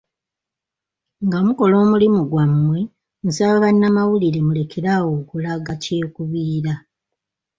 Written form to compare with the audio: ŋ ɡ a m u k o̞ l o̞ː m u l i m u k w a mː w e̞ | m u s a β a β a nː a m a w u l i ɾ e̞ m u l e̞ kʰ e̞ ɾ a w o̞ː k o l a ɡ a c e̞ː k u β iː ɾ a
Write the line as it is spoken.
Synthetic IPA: ŋ ɡ a m u k o̞ l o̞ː m u l i m u ɡ w a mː w e̞ | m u s a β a β a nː a m a w u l i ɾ e̞ m u l e̞ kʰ e̞ ɾ a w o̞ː k u l a ɡ a c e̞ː k u β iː ɾ a